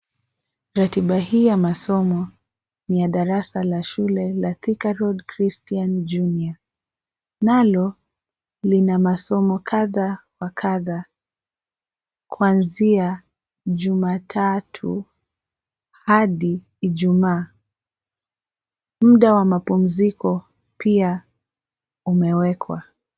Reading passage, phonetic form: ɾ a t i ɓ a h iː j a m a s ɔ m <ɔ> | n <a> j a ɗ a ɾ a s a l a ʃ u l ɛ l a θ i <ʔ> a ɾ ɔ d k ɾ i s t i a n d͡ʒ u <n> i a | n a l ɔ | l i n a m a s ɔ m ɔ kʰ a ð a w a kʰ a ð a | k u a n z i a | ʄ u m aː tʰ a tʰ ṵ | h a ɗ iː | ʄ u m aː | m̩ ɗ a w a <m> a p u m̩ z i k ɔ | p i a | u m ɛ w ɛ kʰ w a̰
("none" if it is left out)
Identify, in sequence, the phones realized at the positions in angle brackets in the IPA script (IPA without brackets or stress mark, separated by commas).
ɔ, i, k, n, m